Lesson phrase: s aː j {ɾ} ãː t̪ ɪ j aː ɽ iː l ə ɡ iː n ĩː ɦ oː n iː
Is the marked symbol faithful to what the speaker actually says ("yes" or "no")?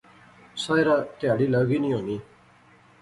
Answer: yes